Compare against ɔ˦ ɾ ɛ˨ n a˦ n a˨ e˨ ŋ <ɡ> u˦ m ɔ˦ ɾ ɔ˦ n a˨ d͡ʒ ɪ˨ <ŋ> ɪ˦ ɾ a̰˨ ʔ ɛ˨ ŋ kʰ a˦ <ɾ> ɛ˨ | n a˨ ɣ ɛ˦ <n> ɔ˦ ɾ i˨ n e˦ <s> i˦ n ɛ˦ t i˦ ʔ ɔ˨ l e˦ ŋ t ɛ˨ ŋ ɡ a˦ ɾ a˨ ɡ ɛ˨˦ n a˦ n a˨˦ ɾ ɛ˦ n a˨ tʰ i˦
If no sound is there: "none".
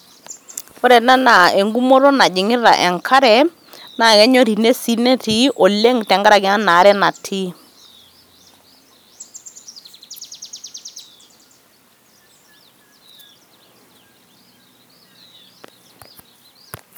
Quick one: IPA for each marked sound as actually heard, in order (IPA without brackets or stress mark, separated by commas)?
ɡ, ŋ, ɾ, ɲ, s